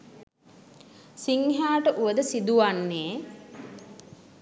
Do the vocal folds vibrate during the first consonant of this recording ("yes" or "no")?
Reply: no